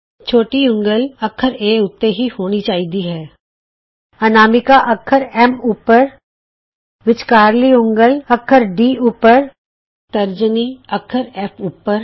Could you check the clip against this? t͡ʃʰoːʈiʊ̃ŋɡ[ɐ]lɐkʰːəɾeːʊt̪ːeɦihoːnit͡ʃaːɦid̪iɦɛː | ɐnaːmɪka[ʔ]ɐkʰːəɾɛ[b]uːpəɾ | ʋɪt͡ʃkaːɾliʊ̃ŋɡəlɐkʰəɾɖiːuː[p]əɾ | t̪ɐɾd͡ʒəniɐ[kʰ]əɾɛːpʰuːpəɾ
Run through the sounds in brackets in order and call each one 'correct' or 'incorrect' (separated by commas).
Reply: incorrect, correct, incorrect, correct, correct